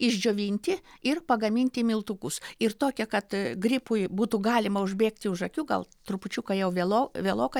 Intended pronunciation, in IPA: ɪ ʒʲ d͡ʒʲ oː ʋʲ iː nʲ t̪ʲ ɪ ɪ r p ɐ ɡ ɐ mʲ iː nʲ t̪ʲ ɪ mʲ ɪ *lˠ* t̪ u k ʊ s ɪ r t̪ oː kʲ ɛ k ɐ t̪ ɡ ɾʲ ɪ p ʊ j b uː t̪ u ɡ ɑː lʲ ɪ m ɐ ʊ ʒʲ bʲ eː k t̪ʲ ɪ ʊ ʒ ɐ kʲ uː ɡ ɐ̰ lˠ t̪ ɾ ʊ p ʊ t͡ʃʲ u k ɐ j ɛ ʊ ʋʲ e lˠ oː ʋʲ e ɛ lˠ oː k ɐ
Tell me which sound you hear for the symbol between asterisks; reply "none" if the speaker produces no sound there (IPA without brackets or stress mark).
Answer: lˠ